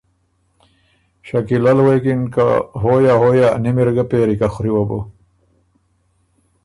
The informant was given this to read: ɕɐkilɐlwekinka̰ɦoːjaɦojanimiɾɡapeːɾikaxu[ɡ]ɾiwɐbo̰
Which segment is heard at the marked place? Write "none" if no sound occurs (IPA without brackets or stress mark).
none